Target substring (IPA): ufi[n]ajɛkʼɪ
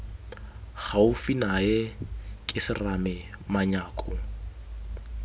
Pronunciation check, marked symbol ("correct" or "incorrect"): correct